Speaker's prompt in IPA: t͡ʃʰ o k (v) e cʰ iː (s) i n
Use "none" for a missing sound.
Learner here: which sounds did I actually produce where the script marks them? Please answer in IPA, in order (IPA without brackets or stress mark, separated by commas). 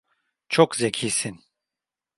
z, s